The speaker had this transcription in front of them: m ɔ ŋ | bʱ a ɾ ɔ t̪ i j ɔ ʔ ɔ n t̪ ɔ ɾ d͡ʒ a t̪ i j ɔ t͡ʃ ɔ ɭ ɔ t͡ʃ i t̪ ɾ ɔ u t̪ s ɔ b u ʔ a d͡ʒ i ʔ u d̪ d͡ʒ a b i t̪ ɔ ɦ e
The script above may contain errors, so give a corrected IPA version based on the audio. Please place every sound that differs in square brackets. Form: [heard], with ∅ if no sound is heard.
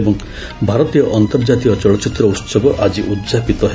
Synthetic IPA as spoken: [b] ɔ ŋ | bʱ a ɾ ɔ t̪ i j ɔ ʔ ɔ n t̪ ɔ ɾ d͡ʒ a t̪ i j ɔ t͡ʃ ɔ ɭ ɔ t͡ʃ i t̪ ɾ ɔ u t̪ s ɔ b [ɔ] ʔ a d͡ʒ i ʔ u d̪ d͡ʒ a [p] i t̪ ɔ ɦ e